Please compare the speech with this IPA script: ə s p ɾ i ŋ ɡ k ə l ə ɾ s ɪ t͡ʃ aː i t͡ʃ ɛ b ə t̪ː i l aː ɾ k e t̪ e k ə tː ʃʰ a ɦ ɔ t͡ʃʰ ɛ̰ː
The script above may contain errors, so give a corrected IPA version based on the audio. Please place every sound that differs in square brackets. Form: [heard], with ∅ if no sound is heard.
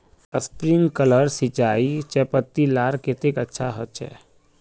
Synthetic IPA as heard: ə s p ɾ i ŋ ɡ k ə l ə ɾ s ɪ t͡ʃ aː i t͡ʃ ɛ [p] ə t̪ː i l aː ɾ k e t̪ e k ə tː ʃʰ a ɦ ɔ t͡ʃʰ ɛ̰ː